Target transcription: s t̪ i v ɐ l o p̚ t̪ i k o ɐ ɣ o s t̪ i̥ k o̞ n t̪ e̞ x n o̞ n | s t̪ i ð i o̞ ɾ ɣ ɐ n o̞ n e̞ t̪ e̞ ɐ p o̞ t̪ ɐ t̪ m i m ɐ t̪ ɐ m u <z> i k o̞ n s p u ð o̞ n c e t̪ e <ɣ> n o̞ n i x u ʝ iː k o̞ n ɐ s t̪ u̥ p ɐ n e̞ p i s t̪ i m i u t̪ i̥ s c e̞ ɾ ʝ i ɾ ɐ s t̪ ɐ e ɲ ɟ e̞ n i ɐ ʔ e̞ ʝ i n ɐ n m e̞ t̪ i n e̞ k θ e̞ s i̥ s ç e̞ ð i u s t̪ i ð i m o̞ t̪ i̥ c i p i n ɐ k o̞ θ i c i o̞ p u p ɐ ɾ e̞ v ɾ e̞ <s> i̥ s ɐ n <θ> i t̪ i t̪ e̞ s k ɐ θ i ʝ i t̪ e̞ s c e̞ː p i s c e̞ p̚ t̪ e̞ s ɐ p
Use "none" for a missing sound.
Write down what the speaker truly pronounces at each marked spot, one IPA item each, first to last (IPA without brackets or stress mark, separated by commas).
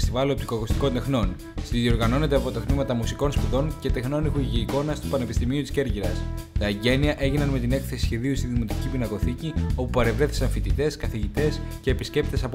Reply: s, x, θ, f